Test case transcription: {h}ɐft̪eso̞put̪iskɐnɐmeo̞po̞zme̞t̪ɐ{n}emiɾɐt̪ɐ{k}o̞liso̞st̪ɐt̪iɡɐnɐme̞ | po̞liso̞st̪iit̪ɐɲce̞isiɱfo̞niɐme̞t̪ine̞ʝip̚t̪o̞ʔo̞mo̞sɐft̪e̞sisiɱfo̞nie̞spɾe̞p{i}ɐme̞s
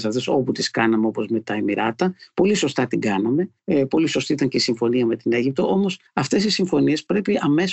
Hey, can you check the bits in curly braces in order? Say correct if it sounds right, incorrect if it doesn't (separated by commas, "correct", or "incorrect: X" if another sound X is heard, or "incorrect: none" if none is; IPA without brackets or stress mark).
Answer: incorrect: s, incorrect: none, incorrect: p, correct